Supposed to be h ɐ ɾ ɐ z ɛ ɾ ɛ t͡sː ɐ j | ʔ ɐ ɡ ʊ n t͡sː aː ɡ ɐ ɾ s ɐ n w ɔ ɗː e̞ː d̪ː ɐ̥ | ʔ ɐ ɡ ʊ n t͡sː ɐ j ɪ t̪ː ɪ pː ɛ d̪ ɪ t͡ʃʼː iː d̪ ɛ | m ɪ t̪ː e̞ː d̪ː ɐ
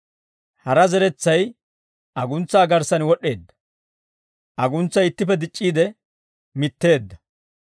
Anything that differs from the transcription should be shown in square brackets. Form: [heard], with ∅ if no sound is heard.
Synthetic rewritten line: h ɐ ɾ ɐ z ɛ ɾ ɛ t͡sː ɐ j | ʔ ɐ ɡ ʊ n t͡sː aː ɡ ɐ ɾ s ɐ n w ɔ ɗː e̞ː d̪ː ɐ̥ | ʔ ɐ ɡ ʊ n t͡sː ɐ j ɪ t̪ː ɪ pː ɛ d̪ ɪ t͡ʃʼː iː d̪ ɛ | m ɪ t̪ː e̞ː d̪ː ɐ

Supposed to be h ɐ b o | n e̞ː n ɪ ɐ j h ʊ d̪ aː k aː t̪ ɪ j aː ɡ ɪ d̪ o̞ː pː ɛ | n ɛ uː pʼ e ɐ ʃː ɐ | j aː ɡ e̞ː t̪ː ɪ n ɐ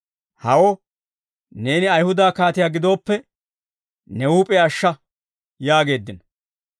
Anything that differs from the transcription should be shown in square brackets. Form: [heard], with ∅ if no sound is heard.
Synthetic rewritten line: h ɐ [w] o | n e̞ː n ɪ ɐ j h ʊ d̪ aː k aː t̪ ɪ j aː ɡ ɪ d̪ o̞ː pː ɛ | n ɛ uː pʼ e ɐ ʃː ɐ | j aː ɡ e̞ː [d̪ː] ɪ n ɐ

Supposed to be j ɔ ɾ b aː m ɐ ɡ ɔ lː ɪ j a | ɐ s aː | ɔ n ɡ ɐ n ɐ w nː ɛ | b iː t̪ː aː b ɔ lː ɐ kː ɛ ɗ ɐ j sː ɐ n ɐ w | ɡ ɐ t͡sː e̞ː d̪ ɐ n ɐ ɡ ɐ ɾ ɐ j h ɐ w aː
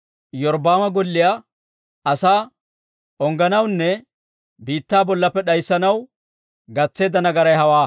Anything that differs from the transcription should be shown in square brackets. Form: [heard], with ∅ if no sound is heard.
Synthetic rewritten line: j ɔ ɾ b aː m ɐ ɡ ɔ lː ɪ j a | ɐ s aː | ɔ [ŋ] ɡ ɐ n ɐ w nː ɛ | b iː t̪ː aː b ɔ lː ɐ [pː] ɛ ɗ ɐ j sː ɐ n ɐ w | ɡ ɐ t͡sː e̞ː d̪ ɐ n ɐ ɡ ɐ ɾ ɐ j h ɐ w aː

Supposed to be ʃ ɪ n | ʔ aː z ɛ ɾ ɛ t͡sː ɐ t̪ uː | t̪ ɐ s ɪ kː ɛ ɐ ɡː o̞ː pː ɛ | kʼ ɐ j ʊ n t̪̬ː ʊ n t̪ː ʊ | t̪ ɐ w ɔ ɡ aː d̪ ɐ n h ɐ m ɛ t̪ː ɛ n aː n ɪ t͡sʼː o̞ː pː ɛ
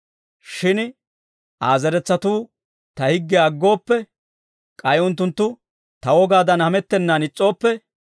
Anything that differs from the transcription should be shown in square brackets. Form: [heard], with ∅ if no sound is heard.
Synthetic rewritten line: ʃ ɪ n | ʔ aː z ɛ ɾ ɛ t͡sː ɐ t̪ uː | t̪ ɐ [h] ɪ [ɡː] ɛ ɐ ɡː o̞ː pː ɛ | kʼ ɐ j ʊ n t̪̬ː ʊ n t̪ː ʊ | t̪ ɐ w ɔ ɡ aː d̪ ɐ n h ɐ m ɛ t̪ː ɛ [nː] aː n ɪ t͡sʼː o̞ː pː ɛ

